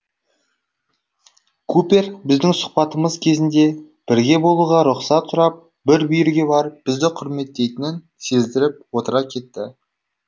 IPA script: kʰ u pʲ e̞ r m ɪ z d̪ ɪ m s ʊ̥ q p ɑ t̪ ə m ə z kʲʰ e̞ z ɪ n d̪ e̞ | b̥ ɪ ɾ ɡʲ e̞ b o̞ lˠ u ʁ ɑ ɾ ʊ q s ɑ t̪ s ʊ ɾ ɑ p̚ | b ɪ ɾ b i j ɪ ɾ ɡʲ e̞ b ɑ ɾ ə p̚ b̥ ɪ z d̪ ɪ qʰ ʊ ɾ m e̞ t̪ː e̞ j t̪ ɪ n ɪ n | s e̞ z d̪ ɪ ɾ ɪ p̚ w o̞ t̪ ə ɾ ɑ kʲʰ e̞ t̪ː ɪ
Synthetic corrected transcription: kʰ u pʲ e̞ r b ɪ z d̪ ɪ ŋ s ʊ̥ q p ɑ t̪ ə m ə z kʲʰ e̞ z ɪ n d̪ e̞ | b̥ ɪ ɾ ɡʲ e̞ b o̞ lˠ u ʁ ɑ ɾ ʊ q s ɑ t̪ s ʊ ɾ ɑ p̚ | b ɪ ɾ b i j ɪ ɾ ɡʲ e̞ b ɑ ɾ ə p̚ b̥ ɪ z d̪ ɪ qʰ ʊ ɾ m e̞ t̪ː e̞ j t̪ ɪ n ɪ n | s e̞ z d̪ ɪ ɾ ɪ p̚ w o̞ t̪ ə ɾ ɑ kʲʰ e̞ t̪ː ɪ